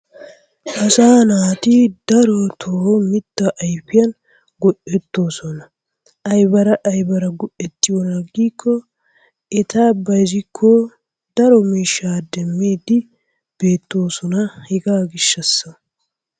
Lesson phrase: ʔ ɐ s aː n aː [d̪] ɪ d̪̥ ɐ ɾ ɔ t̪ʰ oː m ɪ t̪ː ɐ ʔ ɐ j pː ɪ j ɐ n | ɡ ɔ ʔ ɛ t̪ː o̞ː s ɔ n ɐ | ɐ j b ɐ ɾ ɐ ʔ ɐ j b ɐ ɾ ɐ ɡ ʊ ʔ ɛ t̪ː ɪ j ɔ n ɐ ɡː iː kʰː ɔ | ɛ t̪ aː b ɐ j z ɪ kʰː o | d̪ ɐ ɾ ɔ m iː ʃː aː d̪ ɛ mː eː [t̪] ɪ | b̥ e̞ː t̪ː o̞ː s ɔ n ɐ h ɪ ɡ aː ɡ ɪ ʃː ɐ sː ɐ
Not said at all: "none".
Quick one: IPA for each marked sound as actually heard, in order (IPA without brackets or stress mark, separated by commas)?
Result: t̪, d̪